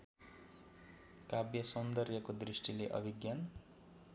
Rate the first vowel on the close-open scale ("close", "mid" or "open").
open